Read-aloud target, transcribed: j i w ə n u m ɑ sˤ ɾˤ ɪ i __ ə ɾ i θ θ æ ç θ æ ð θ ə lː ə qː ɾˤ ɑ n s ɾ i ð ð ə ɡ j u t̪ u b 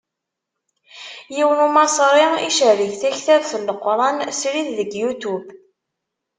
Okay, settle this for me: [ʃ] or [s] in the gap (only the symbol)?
ʃ